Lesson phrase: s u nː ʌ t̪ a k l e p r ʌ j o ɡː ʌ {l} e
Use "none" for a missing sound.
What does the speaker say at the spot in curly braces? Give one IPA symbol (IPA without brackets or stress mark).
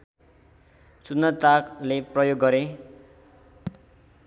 ɾ